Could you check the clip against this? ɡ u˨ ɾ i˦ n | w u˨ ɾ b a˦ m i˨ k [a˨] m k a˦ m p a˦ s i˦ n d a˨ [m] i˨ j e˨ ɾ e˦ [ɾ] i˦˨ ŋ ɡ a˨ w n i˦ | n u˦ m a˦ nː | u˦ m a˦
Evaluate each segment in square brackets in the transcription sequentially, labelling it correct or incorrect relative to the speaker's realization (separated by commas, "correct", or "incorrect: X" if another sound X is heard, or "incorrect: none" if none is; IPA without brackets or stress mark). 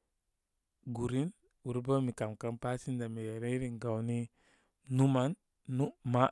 correct, correct, correct